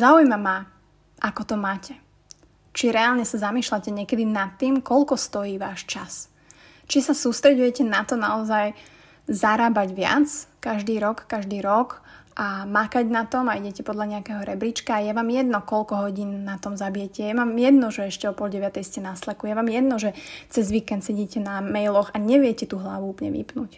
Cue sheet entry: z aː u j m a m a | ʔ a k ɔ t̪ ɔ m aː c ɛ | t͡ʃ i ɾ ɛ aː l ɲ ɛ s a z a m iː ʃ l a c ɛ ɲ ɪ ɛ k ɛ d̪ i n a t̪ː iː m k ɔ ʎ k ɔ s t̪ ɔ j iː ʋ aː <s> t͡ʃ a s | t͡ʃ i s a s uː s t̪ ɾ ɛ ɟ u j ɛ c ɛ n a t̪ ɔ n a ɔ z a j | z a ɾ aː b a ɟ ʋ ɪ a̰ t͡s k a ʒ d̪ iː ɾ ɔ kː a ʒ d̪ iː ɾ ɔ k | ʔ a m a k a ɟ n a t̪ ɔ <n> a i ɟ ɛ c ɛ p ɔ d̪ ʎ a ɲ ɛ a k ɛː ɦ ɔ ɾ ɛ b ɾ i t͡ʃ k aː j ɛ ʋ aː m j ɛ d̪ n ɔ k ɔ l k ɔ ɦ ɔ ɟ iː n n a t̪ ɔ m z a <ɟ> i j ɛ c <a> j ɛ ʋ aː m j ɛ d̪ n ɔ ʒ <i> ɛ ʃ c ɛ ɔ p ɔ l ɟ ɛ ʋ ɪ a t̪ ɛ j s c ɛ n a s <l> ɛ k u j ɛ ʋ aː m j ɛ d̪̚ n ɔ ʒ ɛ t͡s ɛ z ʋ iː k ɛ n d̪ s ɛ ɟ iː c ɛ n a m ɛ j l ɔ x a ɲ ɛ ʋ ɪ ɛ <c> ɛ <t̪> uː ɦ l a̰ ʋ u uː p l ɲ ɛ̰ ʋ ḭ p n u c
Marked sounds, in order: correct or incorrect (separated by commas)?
incorrect, incorrect, incorrect, incorrect, incorrect, correct, correct, correct